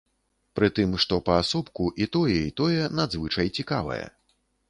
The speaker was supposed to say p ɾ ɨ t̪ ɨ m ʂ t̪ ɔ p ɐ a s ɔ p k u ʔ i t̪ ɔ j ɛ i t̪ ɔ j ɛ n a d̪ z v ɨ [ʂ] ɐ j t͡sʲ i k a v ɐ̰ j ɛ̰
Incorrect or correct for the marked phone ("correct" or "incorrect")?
incorrect